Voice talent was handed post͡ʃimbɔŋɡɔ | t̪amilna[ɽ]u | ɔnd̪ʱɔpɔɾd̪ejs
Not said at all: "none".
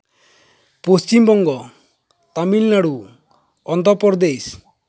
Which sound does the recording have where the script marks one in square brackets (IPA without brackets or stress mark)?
ɽ